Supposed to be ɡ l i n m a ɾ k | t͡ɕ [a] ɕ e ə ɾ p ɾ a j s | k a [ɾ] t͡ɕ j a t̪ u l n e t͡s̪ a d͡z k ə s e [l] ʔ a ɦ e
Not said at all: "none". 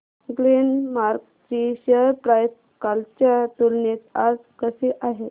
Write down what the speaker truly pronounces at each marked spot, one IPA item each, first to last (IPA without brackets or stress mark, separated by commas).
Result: i, l, none